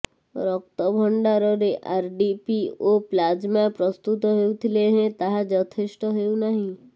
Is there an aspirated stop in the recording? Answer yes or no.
yes